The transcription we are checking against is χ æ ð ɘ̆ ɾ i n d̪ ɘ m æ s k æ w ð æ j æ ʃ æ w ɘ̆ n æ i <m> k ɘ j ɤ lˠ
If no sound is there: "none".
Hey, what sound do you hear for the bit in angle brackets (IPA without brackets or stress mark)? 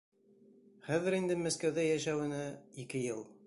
none